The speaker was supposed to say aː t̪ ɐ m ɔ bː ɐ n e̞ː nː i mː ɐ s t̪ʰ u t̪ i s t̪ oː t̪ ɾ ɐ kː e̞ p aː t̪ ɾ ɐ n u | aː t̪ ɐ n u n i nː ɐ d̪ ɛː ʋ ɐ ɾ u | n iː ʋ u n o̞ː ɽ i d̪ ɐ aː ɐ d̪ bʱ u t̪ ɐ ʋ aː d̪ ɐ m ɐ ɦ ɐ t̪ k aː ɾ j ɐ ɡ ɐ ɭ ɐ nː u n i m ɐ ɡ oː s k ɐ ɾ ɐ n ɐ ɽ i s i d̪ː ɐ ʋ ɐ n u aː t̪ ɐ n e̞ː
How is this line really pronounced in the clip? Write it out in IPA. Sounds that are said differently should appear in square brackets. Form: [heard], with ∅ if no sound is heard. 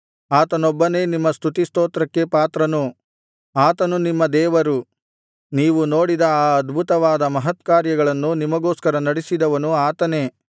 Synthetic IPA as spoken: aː t̪ ɐ [n] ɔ bː ɐ n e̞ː [n] i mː ɐ s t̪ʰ u t̪ i s t̪ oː t̪ ɾ ɐ kː e̞ p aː t̪ ɾ ɐ n u | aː t̪ ɐ n u n i [mː] ɐ d̪ ɛː ʋ ɐ ɾ u | n iː ʋ u n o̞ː ɽ i d̪ ɐ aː ɐ d̪ bʱ u t̪ ɐ ʋ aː d̪ ɐ m ɐ ɦ ɐ t̪ k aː ɾ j ɐ ɡ ɐ ɭ ɐ nː u n i m ɐ ɡ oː s k ɐ ɾ ɐ n ɐ ɽ i s i [d̪] ɐ ʋ ɐ n u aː t̪ ɐ n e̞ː